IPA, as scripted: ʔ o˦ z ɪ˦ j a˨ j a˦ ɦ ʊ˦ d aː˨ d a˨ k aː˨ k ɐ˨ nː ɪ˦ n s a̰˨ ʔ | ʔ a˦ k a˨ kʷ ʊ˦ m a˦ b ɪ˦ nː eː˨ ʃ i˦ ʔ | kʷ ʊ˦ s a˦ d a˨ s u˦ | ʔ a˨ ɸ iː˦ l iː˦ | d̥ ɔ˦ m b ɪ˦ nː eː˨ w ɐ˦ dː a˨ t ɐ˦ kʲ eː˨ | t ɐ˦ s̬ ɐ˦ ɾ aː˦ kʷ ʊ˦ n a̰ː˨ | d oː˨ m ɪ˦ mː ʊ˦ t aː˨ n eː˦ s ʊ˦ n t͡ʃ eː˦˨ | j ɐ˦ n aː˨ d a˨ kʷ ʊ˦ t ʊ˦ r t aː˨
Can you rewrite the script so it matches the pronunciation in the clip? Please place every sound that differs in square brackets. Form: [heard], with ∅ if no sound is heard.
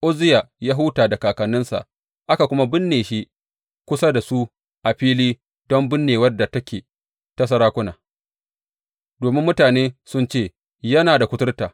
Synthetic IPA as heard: ʔ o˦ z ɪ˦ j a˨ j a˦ ɦ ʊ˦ [t] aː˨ d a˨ k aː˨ k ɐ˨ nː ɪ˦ n s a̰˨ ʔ | ʔ a˦ k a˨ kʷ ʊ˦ m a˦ b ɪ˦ nː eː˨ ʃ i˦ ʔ | kʷ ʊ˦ s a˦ d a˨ s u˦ | ʔ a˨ ɸ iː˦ l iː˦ | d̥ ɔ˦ m b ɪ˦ nː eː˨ w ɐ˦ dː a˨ t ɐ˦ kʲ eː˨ | t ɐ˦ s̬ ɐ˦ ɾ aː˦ kʷ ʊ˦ n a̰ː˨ | d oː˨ m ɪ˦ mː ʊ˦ t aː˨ n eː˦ s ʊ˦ n t͡ʃ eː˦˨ | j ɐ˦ n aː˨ d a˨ kʷ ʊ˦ t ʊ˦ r t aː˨